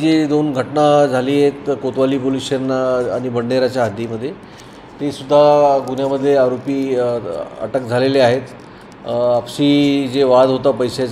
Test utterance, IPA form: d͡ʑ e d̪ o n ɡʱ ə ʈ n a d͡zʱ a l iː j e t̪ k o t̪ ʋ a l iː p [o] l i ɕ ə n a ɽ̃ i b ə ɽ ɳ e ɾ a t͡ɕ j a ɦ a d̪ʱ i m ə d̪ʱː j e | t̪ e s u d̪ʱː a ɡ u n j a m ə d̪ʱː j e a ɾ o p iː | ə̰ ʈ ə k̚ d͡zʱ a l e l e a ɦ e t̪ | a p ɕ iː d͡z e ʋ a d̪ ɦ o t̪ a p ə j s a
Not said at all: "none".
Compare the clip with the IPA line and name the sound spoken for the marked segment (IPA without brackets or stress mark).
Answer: o